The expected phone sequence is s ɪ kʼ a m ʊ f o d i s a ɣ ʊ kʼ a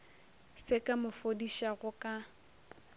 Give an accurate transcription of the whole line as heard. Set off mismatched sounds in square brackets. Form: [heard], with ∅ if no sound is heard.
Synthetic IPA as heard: s ɪ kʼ a m ʊ f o d i [ʃ] a ɣ ʊ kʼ a